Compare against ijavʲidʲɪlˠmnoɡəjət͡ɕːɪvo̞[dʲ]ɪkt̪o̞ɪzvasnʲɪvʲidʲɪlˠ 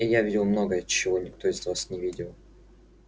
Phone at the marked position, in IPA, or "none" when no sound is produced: nʲ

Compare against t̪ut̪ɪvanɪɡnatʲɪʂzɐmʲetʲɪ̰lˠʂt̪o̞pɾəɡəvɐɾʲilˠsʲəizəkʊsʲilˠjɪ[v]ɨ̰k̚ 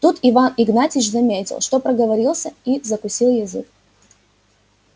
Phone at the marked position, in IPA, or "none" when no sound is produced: z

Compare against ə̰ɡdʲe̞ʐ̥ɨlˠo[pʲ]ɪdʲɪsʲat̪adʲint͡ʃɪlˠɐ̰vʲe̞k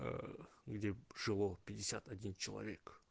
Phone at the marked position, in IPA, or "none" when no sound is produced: pʲ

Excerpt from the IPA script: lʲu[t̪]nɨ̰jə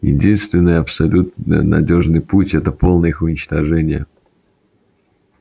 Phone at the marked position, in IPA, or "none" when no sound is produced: t̪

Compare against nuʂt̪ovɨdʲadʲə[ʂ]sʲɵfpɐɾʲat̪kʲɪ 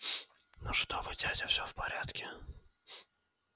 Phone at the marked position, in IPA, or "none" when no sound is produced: f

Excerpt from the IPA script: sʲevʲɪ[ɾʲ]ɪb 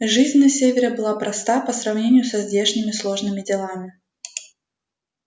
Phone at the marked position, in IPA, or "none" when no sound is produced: ɾʲ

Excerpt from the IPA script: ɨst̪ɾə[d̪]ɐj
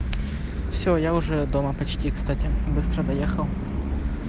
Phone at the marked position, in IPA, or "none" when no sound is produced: d̪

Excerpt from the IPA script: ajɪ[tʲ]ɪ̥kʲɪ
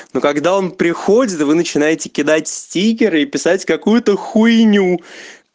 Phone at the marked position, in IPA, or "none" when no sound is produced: tʲ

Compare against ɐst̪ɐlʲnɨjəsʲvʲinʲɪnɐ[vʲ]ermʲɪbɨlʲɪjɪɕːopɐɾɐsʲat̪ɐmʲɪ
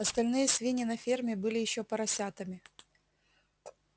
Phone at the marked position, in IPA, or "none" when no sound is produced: fʲ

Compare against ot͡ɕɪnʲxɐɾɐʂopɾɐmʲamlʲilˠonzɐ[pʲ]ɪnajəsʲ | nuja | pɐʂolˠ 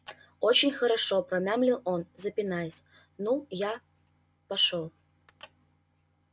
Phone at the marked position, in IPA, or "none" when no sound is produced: pʲ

